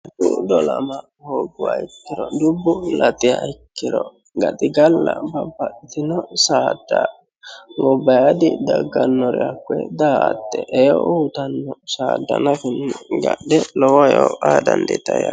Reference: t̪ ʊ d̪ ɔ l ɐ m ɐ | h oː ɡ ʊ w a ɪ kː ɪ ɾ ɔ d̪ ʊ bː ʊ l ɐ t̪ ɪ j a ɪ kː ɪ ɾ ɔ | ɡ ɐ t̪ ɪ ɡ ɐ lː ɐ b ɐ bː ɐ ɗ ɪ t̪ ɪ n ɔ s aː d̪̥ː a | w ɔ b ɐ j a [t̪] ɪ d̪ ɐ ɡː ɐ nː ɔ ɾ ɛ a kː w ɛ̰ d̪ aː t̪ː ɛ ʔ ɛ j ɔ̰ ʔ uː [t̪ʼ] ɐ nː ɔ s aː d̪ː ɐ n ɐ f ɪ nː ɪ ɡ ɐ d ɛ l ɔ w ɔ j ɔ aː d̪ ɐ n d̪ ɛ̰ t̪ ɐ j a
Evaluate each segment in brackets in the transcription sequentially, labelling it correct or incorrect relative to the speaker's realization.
incorrect, incorrect

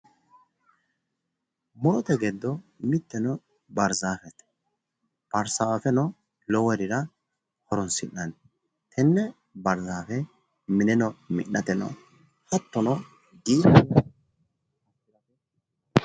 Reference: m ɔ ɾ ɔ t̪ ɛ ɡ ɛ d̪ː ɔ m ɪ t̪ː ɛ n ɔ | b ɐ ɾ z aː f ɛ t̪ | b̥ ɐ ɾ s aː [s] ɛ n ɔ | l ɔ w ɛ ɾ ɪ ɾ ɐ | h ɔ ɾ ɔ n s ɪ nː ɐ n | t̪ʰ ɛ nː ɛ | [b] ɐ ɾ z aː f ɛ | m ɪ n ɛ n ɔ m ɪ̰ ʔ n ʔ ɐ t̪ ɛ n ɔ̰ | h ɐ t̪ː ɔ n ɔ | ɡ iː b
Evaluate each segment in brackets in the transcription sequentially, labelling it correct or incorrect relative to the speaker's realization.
incorrect, correct

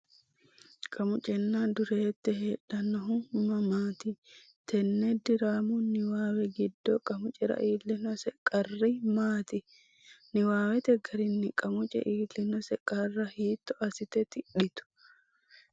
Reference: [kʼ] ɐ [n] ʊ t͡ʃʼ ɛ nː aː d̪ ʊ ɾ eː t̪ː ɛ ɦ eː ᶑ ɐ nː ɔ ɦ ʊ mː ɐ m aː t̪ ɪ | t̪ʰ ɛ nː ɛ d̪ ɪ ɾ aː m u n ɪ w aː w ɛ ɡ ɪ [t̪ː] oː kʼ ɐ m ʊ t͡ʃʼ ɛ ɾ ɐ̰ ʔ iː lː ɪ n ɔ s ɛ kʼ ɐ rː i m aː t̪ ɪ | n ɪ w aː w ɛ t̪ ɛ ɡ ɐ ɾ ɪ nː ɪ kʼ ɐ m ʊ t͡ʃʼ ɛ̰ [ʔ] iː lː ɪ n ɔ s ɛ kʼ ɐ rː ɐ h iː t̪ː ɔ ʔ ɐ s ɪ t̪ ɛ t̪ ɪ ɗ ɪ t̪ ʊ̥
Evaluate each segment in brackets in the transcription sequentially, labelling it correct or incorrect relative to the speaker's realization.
correct, incorrect, incorrect, correct

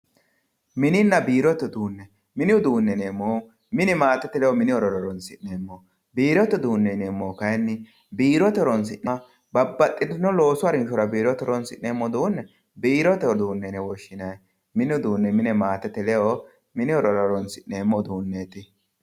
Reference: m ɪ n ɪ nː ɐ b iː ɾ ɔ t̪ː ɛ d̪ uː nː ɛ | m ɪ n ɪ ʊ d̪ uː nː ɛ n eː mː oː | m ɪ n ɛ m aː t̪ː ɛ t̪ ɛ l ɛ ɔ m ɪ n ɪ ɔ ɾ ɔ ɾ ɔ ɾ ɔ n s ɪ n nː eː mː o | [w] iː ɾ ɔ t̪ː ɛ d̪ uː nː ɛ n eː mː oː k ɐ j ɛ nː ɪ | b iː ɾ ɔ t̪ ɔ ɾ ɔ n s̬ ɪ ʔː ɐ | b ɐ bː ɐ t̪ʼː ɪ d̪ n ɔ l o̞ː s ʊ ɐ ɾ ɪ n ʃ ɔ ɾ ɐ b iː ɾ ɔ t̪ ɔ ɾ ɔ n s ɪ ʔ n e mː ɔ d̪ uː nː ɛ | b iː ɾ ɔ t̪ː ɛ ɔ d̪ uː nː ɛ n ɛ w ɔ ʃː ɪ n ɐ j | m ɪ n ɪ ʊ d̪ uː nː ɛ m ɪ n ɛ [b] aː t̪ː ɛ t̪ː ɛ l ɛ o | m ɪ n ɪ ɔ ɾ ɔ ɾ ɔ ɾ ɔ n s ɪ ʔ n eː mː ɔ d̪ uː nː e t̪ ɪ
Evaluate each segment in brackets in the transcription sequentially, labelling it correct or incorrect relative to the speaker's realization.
incorrect, incorrect

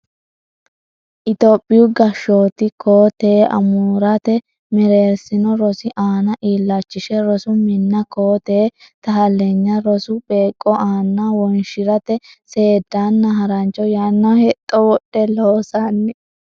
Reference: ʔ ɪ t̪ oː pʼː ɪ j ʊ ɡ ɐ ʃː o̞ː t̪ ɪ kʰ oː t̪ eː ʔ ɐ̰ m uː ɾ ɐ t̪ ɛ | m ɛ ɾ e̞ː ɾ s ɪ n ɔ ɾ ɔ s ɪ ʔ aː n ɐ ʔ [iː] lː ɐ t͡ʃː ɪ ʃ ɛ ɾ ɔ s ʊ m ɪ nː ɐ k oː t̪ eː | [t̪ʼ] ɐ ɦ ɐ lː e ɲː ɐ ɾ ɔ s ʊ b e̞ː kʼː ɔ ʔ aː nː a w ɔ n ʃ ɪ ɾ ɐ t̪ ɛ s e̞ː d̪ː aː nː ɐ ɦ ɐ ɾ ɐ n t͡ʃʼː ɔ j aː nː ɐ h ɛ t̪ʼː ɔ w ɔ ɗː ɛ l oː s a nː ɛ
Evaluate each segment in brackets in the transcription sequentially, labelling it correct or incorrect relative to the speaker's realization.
correct, incorrect

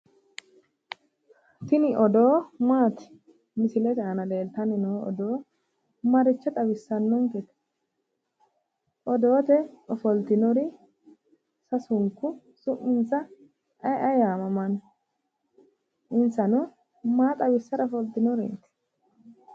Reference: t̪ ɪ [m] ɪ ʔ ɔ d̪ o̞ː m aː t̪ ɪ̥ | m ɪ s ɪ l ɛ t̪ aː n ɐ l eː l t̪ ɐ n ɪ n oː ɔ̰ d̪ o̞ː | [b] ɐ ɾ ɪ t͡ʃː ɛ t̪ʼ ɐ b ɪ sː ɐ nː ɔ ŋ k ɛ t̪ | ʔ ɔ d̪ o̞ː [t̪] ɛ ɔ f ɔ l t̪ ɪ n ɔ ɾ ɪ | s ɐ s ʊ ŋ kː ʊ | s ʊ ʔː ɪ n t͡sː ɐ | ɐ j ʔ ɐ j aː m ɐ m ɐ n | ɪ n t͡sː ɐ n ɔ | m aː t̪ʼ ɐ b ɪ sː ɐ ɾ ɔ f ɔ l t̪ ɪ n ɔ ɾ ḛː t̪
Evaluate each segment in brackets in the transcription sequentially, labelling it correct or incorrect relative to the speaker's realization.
incorrect, incorrect, correct

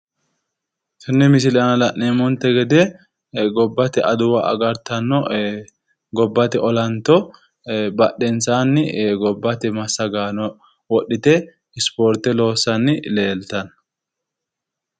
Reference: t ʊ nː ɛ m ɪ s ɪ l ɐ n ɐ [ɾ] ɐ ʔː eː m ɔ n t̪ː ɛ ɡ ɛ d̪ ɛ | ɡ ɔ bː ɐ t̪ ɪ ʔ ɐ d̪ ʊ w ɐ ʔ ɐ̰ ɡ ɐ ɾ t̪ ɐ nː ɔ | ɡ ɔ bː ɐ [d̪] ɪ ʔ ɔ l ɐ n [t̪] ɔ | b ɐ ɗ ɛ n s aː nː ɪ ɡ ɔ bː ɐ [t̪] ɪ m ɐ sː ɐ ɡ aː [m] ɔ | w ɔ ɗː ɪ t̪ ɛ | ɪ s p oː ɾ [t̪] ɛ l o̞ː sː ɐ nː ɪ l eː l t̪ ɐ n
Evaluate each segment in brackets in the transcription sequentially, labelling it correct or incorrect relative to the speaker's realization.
incorrect, incorrect, correct, correct, incorrect, correct

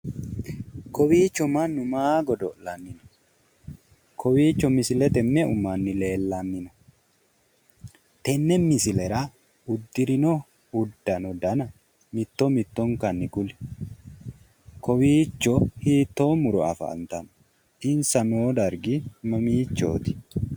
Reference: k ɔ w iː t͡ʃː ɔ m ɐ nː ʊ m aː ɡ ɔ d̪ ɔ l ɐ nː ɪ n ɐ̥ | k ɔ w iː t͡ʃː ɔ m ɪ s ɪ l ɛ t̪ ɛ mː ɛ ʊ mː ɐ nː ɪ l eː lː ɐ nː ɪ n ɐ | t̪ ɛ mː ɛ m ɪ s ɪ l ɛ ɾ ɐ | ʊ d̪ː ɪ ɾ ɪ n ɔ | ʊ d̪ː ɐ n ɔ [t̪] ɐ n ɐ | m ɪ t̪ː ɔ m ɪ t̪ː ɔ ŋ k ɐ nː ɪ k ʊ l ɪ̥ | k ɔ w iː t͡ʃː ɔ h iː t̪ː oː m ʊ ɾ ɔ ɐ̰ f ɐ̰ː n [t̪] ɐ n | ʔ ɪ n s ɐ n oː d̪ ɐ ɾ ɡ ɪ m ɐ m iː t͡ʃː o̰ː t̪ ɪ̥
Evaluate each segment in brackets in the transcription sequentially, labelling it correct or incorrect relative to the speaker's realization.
incorrect, correct

